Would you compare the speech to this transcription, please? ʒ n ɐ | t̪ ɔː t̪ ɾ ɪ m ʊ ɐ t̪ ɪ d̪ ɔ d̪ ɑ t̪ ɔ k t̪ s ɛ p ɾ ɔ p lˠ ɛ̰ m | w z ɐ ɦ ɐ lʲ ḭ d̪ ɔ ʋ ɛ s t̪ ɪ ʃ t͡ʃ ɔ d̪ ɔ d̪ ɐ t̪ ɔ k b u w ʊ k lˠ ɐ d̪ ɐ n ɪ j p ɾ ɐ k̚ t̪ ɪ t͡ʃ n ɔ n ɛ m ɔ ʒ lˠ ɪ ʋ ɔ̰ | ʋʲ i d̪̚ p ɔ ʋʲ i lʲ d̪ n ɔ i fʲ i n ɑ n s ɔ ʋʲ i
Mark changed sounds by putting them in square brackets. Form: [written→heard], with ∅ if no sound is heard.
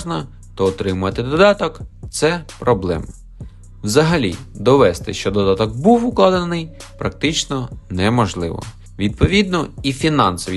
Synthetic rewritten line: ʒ n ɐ | t̪ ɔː t̪ ɾ ɪ m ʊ ɐ t̪ ɪ d̪ ɔ d̪ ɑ t̪ ɔ k t̪ s ɛ p ɾ ɔ [p→b] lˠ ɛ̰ m | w z ɐ ɦ ɐ lʲ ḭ d̪ ɔ ʋ ɛ s t̪ ɪ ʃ t͡ʃ ɔ d̪ ɔ d̪ [ɐ→ɑ] t̪ ɔ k b u w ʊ k lˠ [ɐ→ɑ] d̪ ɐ n ɪ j p ɾ ɐ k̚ t̪ ɪ t͡ʃ n ɔ n ɛ m ɔ ʒ lˠ ɪ ʋ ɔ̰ | ʋʲ i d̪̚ p ɔ ʋʲ i [lʲ→∅] d̪ n ɔ i fʲ i n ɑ n s ɔ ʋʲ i